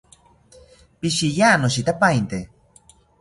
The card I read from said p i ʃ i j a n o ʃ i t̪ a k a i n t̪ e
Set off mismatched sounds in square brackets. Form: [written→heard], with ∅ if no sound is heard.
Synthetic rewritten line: p i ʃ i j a n o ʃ i t̪ a [k→p] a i n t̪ e